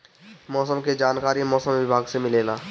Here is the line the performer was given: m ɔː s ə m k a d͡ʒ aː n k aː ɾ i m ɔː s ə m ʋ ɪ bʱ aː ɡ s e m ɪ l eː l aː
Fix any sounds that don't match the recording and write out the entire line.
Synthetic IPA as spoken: m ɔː s ə m k e d͡ʒ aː n k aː ɾ i m ɔː s ə m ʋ ɪ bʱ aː ɡ s e m ɪ l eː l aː